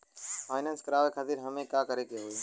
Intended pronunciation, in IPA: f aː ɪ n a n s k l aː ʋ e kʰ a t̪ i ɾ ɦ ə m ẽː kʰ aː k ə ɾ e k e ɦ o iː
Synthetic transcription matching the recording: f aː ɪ n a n s k ɾ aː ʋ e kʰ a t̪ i ɾ ɦ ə m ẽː k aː k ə ɾ e k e ɦ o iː

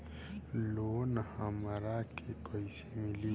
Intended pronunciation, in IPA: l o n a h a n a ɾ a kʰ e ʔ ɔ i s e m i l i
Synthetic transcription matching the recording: l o n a h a m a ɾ a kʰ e k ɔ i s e m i l i

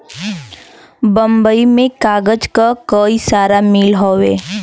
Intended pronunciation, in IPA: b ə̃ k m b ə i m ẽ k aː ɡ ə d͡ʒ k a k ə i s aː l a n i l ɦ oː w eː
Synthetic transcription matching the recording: b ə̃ m b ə i m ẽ k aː ɡ ə d͡ʒ k a k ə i s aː ɾ a m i l ɦ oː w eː

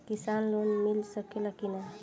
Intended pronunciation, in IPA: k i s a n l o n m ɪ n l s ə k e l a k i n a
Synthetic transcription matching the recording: k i s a n l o n m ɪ l s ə k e l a k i n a

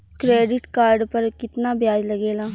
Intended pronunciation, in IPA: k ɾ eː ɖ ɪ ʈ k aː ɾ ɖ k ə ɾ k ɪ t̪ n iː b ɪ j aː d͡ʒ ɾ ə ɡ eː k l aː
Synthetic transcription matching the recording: k ɾ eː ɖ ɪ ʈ k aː ɾ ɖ p ə ɾ k ɪ t̪ n aː b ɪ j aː d͡ʒ l ə ɡ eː l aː

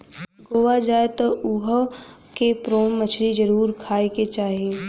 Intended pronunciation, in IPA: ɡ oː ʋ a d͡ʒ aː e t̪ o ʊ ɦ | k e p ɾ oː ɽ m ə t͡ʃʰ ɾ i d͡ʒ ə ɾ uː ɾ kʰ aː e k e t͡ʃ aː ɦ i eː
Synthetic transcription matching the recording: ɡ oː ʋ a d͡ʒ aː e t̪ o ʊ ɦ | k e p ɾ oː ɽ m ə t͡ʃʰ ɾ i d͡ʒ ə ɾ uː ɾ kʰ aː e k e t͡ʃ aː ɦ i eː

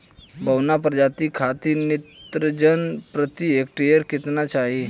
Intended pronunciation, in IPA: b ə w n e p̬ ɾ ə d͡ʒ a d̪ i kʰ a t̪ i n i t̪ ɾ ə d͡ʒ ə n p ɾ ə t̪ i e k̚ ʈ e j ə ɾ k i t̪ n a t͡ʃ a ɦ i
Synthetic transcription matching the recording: b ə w n a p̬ ɾ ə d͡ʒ a t̪ i kʰ a t̪ i n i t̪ ɾ ə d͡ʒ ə n p ɾ ə t̪ i e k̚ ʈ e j ə ɾ k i t̪ n a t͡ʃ a ɦ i

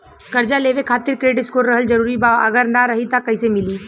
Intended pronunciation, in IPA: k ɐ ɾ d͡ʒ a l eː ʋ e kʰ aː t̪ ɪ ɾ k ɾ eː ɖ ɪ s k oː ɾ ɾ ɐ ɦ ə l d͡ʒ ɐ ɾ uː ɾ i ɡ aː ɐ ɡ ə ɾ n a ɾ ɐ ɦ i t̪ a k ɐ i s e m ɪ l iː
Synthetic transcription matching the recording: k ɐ ɾ d͡ʒ a l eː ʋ e kʰ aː t̪ ɪ ɾ k ɾ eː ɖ ɪ s k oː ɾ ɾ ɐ ɦ ə l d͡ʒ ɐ ɾ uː ɾ i b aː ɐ ɡ ə ɾ n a ɾ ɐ ɦ i t̪ a k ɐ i s e m ɪ l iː

